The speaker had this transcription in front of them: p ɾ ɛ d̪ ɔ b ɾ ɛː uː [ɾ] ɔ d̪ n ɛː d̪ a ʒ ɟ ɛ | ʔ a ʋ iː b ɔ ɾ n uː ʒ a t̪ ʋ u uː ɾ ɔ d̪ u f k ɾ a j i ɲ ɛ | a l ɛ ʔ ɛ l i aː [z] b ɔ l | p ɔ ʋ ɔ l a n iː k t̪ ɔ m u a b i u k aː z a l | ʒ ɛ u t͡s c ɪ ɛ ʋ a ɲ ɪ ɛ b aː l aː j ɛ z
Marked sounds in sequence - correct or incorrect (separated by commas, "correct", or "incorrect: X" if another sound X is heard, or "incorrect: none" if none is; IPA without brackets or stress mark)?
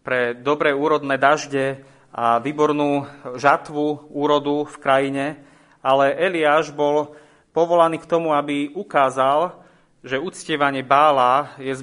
correct, incorrect: ʒ